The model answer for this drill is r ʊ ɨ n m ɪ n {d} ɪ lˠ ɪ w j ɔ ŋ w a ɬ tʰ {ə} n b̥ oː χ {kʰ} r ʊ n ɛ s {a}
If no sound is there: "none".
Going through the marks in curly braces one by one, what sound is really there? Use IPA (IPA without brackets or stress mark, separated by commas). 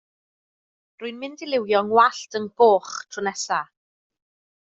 d, ə, tʰ, a